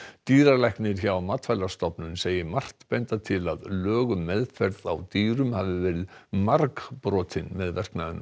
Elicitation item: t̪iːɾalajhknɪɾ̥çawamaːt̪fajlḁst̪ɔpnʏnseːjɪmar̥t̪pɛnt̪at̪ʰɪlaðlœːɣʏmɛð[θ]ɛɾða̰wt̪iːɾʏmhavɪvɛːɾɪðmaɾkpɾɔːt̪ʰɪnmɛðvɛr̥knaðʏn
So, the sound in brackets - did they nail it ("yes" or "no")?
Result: no